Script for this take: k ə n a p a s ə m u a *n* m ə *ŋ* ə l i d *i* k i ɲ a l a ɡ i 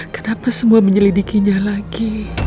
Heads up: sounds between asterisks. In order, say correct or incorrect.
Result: incorrect: none, incorrect: ɲ, correct

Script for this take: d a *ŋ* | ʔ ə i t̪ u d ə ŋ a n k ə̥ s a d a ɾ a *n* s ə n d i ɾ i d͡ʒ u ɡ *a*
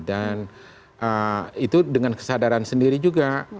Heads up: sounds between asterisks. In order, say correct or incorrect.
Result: incorrect: n, correct, correct

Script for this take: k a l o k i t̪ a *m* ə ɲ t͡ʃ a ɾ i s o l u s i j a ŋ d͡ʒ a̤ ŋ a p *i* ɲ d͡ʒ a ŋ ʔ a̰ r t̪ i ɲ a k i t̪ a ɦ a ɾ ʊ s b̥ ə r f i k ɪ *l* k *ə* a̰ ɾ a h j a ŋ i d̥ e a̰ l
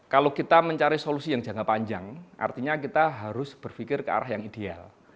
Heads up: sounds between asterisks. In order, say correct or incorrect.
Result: correct, incorrect: a, incorrect: r, correct

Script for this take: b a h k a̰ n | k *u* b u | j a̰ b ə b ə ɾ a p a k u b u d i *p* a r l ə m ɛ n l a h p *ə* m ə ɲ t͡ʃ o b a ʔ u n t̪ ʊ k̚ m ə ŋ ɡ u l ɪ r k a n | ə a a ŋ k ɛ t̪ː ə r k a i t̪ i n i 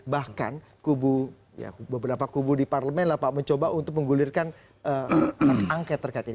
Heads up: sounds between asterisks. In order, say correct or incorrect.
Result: correct, correct, incorrect: a

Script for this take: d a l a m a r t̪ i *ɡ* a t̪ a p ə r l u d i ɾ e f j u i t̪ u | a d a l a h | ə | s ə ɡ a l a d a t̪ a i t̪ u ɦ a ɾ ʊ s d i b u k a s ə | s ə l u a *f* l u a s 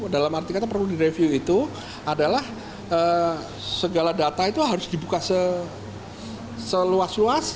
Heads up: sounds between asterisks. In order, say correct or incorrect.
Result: incorrect: k, incorrect: s

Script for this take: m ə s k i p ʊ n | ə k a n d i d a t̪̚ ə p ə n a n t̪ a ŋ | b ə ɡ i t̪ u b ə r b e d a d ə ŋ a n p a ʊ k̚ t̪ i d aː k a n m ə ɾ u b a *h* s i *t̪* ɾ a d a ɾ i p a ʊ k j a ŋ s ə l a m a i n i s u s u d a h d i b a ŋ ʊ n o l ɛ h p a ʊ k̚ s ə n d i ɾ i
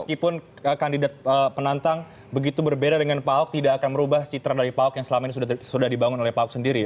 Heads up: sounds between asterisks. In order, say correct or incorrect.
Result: correct, correct

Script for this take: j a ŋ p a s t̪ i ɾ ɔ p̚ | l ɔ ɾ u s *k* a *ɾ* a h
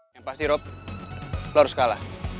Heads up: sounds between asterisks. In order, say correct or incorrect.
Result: correct, incorrect: l

